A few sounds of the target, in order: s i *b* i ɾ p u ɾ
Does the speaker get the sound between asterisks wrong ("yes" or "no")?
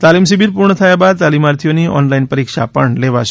no